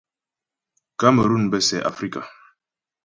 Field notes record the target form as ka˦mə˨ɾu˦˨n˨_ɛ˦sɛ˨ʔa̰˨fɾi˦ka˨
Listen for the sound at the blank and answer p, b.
b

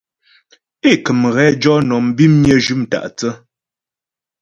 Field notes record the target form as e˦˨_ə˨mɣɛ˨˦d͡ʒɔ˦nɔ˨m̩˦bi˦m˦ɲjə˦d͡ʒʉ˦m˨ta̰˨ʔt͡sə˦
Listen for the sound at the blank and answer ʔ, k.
k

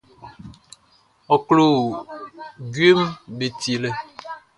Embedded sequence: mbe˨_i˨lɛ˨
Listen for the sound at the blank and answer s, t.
t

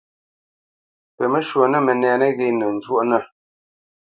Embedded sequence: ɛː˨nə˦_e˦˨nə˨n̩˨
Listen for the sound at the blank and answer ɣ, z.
ɣ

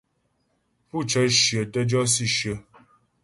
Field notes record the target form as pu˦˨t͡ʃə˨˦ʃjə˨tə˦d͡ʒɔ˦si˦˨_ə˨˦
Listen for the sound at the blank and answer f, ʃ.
ʃ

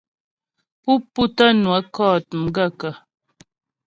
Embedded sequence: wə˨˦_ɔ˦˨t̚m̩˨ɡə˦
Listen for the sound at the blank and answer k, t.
k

